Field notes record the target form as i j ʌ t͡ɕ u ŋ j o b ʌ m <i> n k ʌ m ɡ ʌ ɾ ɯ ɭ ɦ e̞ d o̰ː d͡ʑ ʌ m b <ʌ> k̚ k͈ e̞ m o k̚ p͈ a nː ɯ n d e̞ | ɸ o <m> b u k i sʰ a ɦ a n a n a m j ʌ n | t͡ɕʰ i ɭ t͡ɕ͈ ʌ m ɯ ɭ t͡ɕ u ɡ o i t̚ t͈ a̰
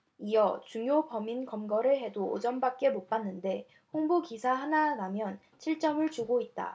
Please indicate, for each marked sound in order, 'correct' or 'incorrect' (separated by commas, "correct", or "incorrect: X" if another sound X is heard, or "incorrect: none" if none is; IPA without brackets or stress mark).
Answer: correct, incorrect: a, incorrect: ŋ